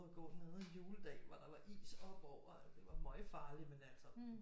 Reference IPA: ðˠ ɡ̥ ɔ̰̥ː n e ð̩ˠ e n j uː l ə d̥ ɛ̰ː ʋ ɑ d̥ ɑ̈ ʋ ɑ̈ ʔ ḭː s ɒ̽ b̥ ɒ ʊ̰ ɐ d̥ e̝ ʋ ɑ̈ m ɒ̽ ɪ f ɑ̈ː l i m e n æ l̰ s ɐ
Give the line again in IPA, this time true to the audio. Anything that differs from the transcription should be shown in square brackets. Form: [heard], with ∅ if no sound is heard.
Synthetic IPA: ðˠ ɡ̥ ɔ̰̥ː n e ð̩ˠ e n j uː l ə d̥ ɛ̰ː ʋ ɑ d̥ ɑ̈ ʋ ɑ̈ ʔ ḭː s ɒ̽ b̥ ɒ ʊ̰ ɐ d̥ e̝ ʋ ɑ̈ m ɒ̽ ɪ f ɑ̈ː l i m e n æ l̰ s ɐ